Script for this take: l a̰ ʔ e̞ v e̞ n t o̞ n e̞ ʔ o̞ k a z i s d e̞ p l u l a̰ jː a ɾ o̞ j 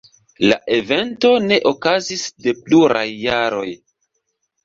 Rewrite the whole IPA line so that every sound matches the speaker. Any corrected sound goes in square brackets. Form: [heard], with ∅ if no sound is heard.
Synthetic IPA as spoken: l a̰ ʔ e̞ v e̞ n t o̞ n e̞ ʔ o̞ k a z i s d e̞ p l u [ɾ] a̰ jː a ɾ o̞ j